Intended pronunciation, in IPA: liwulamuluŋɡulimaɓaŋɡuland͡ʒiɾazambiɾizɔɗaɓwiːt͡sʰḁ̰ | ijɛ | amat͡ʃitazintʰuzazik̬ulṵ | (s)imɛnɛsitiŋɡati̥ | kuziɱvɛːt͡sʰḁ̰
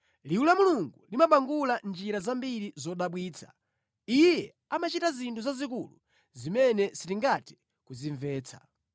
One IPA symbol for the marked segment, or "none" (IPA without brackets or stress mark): z